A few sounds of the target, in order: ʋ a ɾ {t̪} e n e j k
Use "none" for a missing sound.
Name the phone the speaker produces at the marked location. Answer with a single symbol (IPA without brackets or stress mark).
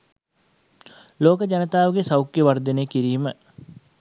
d̪